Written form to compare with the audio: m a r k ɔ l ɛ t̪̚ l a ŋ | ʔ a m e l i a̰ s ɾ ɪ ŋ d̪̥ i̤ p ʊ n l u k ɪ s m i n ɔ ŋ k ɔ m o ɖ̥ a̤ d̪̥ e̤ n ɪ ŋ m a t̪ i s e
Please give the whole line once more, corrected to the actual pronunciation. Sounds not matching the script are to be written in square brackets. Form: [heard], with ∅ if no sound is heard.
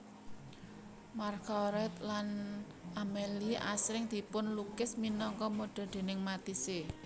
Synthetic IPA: m a r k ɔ [ɾ] ɛ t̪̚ l a [n] | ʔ a m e l i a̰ s ɾ ɪ ŋ d̪̥ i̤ p ʊ n l u k ɪ s m i n ɔ ŋ k ɔ m o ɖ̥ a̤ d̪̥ e̤ n ɪ ŋ m a t̪ i s e